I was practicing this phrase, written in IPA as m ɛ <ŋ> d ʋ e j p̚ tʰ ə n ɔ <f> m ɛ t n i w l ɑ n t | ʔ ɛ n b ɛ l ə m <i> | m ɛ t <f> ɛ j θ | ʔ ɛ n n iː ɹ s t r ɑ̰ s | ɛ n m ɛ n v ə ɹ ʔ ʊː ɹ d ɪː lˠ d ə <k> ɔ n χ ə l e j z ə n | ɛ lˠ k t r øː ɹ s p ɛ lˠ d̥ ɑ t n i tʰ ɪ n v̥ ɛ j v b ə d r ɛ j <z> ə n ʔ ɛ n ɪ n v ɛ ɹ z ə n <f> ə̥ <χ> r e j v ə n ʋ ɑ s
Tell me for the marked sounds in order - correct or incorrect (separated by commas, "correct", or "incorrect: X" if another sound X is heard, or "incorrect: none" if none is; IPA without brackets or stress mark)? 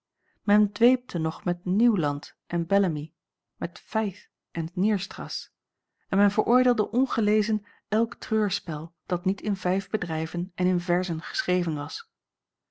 incorrect: n, incorrect: χ, correct, correct, incorrect: ʔ, incorrect: v, incorrect: χ, incorrect: s